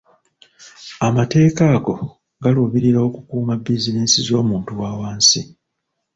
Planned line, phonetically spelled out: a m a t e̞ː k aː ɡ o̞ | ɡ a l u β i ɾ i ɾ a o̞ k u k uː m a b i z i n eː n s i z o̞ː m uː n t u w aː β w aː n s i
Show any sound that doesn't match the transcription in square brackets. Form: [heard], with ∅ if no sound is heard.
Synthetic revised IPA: a m a t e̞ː k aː ɡ o̞ | ɡ a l u β i ɾ i ɾ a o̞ k u k uː m a b i z i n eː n s i z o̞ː m uː n t u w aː [∅] w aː n s i